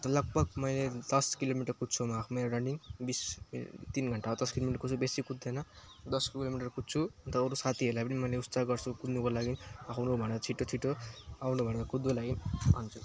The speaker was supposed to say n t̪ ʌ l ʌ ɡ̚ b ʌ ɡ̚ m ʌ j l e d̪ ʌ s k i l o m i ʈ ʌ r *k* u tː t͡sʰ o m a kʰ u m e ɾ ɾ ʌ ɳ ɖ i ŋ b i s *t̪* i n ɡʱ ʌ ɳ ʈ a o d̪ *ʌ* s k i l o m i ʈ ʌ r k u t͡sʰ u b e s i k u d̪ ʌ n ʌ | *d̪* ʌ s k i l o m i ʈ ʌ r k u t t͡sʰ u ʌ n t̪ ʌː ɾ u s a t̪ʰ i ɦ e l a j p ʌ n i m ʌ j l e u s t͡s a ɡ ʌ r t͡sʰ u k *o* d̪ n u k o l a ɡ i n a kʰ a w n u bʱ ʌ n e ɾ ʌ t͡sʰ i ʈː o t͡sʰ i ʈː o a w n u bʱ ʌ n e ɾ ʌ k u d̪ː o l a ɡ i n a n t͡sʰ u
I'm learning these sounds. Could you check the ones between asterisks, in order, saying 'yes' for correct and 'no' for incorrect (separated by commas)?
yes, yes, yes, yes, no